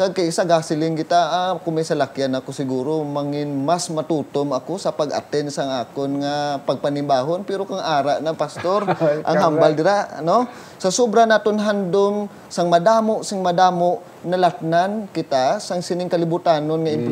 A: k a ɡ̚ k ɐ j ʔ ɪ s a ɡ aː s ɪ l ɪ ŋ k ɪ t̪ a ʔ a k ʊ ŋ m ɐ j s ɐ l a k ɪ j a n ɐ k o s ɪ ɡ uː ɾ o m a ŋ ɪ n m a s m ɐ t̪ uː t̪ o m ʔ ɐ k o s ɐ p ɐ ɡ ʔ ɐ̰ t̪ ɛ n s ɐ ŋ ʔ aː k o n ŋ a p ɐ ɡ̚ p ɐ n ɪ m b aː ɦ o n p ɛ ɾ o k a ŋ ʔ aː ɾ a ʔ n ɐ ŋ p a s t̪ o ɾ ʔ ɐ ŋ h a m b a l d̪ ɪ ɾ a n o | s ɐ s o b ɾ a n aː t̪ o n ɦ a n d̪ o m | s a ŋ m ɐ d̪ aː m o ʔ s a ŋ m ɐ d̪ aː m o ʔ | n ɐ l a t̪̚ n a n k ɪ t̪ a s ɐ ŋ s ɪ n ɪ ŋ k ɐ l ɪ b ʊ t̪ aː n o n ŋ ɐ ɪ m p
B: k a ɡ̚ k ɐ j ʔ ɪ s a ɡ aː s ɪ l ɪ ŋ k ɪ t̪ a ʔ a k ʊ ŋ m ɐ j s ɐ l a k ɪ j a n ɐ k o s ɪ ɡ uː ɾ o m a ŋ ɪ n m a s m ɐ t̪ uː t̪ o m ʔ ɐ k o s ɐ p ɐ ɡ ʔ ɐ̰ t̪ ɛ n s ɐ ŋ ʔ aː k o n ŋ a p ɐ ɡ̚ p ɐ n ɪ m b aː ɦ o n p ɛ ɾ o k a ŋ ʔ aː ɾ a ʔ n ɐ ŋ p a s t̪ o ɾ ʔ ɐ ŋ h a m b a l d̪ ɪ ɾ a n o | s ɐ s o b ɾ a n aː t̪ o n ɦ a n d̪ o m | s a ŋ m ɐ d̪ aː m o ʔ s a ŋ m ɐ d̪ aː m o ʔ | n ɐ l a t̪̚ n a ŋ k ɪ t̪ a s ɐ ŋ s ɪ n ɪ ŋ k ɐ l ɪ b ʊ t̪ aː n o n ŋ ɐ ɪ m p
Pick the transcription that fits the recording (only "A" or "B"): A